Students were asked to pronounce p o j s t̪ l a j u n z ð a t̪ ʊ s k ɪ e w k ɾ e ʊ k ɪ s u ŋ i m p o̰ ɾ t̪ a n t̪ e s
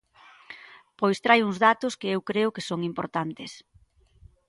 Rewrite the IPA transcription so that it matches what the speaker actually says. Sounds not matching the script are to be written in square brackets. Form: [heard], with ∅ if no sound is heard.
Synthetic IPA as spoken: p o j s t̪ [ɾ] a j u [ŋ] z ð a t̪ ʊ s k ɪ e w k ɾ e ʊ k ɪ s [o] ŋ i m p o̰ ɾ t̪ a n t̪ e s